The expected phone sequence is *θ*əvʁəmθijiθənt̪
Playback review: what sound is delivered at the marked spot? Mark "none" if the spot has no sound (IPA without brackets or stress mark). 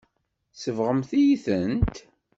s